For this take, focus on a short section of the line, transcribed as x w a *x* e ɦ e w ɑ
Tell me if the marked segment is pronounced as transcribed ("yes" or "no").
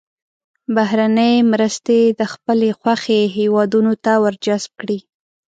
yes